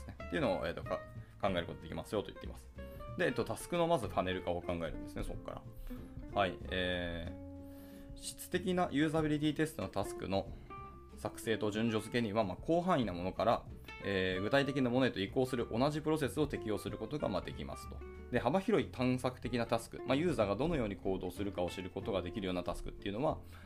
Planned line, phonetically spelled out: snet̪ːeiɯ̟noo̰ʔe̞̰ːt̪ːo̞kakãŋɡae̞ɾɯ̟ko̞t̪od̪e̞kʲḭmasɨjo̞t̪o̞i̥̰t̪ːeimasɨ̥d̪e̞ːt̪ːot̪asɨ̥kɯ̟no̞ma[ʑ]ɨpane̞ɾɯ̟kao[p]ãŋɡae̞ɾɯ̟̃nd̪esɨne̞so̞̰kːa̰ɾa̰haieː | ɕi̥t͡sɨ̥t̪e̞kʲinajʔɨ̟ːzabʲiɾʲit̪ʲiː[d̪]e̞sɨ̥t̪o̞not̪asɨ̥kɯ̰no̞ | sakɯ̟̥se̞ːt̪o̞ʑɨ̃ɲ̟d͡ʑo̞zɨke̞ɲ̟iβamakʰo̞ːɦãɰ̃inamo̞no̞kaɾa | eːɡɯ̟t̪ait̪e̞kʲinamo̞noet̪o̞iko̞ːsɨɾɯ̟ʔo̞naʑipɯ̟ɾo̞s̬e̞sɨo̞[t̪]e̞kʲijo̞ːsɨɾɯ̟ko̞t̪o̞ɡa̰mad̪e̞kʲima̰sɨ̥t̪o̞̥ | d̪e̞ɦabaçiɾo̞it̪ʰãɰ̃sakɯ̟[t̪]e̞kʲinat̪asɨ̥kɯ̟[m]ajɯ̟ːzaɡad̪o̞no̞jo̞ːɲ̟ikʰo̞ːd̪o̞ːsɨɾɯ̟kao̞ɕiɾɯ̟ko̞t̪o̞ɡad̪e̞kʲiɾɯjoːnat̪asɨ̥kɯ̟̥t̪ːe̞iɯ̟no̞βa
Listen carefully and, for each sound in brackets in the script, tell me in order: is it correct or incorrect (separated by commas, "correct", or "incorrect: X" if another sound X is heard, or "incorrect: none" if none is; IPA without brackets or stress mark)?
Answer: incorrect: z, incorrect: k, incorrect: t̪, correct, correct, correct